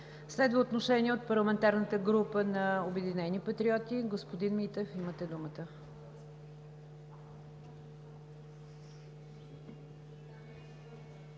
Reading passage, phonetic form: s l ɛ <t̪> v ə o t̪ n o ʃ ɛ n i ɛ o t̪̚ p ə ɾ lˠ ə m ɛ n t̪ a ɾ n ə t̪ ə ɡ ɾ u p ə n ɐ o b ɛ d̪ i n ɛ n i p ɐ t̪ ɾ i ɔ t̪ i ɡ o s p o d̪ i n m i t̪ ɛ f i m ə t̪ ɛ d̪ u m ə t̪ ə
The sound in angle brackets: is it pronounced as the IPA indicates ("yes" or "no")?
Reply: no